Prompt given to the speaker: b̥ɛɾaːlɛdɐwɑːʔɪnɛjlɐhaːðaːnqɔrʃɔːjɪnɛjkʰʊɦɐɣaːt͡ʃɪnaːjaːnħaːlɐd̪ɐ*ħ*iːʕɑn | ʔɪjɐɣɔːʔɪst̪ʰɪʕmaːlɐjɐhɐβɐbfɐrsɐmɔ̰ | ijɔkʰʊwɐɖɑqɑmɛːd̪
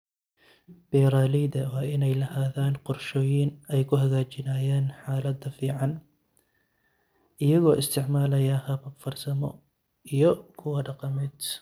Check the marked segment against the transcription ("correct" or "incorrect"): incorrect